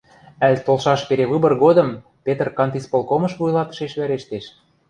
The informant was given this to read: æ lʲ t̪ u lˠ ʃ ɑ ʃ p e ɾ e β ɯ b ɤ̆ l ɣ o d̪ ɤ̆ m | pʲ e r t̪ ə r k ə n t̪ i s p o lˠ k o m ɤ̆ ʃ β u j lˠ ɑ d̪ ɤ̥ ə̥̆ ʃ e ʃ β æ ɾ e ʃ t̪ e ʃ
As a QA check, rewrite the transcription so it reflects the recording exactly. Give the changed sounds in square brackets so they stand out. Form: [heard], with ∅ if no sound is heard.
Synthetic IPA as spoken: æ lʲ t̪ [o] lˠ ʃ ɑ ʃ p e ɾ e β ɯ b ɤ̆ [r] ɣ o d̪ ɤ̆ m | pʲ e [∅] t̪ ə r k [ɑ] n t̪ i s p o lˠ k o m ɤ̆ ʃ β u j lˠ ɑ [t̪] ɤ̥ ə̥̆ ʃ e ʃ β æ ɾ e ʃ t̪ e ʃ